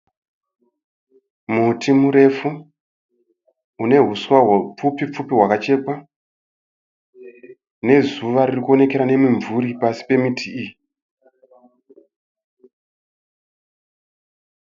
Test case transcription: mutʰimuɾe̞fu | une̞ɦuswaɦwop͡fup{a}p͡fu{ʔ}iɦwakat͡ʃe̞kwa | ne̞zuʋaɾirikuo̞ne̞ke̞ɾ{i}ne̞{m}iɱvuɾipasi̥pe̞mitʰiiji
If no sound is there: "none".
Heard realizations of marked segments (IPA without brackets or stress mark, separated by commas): i, p, a, m